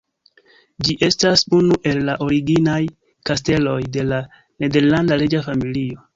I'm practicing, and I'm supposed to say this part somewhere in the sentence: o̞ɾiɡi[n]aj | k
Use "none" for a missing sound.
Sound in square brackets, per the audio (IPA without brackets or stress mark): n